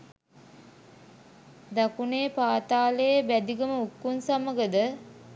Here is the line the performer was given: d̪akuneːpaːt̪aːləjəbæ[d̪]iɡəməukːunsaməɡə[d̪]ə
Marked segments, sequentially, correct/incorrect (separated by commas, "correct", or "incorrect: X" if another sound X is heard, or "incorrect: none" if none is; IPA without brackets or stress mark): correct, correct